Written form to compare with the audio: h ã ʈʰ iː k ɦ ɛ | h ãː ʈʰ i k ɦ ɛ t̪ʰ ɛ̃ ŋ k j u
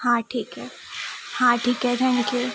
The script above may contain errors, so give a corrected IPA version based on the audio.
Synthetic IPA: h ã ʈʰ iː k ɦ ɛ | h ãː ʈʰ iː k ɦ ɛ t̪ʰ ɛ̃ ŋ k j u